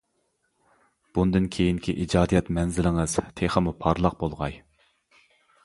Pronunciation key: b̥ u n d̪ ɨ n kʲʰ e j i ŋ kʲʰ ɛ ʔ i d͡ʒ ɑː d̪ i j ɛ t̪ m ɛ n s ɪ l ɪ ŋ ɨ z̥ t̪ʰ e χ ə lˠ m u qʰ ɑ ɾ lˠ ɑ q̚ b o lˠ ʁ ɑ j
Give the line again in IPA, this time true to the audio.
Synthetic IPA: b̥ u n d̪ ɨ n kʲʰ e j i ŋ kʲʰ i ʔ i d͡ʒ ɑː d̪ i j ɛ t̪ m ɛ n z ɪ l ɪ ŋ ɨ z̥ t̪ʰ e χ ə m u pʰ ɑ ɾ lˠ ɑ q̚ b o lˠ ʁ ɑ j